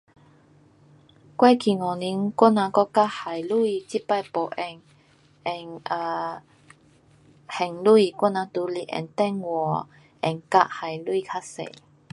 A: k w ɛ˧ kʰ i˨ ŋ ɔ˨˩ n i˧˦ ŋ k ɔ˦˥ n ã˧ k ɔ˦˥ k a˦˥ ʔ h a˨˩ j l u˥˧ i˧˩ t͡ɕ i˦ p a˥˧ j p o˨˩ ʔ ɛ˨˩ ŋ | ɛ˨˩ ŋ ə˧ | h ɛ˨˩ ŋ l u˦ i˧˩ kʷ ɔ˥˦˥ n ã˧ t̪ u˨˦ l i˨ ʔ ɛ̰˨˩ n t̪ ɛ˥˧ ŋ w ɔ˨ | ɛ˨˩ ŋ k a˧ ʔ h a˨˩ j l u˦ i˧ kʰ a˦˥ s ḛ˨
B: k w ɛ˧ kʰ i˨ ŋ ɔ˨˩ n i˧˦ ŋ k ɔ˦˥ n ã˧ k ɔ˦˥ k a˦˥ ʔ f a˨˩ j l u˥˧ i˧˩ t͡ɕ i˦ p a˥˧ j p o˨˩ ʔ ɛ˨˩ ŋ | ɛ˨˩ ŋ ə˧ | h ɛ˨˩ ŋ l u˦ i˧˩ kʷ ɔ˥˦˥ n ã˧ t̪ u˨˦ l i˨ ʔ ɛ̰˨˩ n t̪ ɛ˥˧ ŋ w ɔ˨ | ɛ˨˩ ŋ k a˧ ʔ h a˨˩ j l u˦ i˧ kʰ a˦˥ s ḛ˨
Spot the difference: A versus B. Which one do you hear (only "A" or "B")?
A